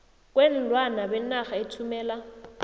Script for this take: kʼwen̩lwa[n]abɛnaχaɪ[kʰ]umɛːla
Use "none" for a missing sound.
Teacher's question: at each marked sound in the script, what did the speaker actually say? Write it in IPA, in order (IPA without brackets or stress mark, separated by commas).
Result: n, tʰ